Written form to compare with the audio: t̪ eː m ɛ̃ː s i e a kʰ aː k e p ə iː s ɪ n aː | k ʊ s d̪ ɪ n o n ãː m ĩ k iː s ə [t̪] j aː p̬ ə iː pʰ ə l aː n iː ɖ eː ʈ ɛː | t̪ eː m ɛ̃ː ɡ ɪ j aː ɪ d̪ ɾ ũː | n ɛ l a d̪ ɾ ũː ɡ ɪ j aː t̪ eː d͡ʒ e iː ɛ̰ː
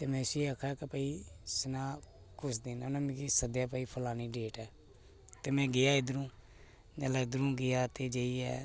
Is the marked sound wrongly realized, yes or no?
yes